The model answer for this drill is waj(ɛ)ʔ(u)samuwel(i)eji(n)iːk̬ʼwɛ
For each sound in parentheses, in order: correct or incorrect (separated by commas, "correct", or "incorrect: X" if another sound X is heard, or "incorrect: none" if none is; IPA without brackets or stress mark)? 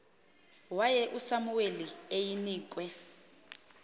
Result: correct, correct, correct, correct